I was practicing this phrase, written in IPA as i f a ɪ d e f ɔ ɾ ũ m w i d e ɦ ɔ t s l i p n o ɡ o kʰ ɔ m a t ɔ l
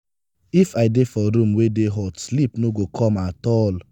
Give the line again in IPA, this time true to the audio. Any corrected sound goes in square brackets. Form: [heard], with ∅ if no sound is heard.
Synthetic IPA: i f a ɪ d e f ɔ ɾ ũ m w [e] d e ɦ ɔ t s l i p n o ɡ o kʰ ɔ m a t ɔ l